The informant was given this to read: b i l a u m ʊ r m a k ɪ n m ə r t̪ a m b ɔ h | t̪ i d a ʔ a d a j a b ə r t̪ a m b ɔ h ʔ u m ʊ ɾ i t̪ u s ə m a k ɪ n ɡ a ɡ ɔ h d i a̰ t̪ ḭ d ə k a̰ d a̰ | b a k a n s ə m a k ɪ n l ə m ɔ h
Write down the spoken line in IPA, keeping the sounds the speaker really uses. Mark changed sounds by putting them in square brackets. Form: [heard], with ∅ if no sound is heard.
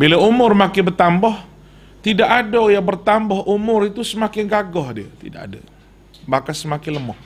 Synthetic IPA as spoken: b i l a u m ʊ r m a k ɪ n [b] ə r t̪ a m b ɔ h | t̪ i d a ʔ a d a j a b ə r t̪ a m b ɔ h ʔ u m ʊ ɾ i t̪ u s ə m a k ɪ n ɡ a ɡ ɔ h d i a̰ t̪ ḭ d [a] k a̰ d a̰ | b a k a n s ə m a k ɪ n l ə m ɔ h